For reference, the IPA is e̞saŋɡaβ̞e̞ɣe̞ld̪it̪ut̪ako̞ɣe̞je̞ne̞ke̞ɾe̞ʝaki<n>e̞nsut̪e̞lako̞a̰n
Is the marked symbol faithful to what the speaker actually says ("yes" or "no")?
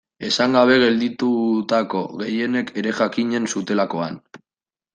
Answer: no